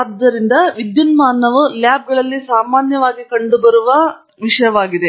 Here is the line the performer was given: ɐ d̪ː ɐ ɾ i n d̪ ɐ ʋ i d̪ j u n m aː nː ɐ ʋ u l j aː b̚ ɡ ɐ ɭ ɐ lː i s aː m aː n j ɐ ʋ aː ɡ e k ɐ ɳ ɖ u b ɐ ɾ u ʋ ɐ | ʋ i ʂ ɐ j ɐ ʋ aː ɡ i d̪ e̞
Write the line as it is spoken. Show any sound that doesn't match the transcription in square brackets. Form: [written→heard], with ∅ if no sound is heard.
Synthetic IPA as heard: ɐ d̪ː ɐ ɾ i n d̪ ɐ ʋ i d̪ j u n m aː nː ɐ ʋ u l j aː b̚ ɡ ɐ ɭ ɐ lː i s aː m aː n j ɐ ʋ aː ɡ [e→i] k ɐ ɳ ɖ u b ɐ ɾ u ʋ ɐ | ʋ i ʂ ɐ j ɐ ʋ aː ɡ i d̪ e̞